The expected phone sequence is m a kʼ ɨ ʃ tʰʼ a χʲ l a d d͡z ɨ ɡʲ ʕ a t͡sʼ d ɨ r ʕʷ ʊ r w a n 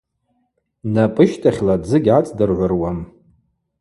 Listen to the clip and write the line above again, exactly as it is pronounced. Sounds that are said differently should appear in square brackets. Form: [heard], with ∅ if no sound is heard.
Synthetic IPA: [n] a [pʼ] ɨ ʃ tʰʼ a χʲ l a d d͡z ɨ ɡʲ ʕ a t͡sʼ d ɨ r ʕʷ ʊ r w a [m]